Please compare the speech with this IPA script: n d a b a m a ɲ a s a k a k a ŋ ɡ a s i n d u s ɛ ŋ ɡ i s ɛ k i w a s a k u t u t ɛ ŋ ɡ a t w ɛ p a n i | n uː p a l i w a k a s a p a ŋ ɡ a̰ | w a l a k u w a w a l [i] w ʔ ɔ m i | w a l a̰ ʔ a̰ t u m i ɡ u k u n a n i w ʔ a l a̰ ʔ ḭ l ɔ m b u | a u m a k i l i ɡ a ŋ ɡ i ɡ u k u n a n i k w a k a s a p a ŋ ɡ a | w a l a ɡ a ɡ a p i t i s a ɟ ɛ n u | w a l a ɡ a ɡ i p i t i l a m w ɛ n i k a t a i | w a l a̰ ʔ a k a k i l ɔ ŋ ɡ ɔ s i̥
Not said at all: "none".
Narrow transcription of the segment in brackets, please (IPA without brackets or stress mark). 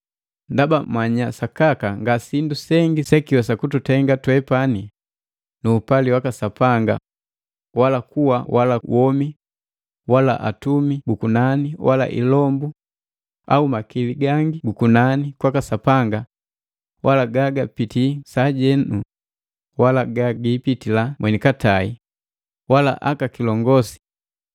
a